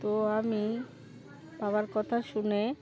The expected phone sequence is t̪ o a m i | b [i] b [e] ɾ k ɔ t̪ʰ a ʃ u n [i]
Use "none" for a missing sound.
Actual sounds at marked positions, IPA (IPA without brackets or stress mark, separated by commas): a, a, e